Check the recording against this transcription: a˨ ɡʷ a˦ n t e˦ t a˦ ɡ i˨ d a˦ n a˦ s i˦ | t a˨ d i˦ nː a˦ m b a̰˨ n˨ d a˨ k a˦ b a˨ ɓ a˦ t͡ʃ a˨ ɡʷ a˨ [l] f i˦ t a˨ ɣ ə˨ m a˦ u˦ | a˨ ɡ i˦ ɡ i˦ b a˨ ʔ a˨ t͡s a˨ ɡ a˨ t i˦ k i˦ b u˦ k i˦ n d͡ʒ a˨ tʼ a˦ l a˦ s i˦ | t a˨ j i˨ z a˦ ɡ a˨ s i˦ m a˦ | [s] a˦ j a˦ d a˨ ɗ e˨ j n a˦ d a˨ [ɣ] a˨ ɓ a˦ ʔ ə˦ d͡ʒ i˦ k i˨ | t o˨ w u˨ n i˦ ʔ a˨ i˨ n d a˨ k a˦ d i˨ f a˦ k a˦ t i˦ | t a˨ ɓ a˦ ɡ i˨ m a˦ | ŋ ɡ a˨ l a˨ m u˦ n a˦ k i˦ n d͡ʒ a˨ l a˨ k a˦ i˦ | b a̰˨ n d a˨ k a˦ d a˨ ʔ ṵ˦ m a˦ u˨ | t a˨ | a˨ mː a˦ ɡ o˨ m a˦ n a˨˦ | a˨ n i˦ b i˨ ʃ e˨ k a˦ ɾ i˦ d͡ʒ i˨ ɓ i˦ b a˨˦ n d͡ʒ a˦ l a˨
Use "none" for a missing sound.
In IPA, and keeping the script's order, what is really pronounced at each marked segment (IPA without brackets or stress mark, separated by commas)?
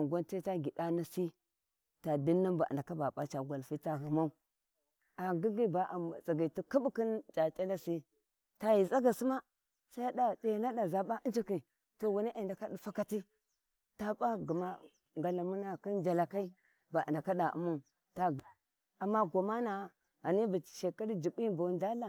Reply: l, s, z